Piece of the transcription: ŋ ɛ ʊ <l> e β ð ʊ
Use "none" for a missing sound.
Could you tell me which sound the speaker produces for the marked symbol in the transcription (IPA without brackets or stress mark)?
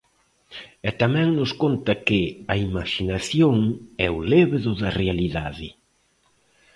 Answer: l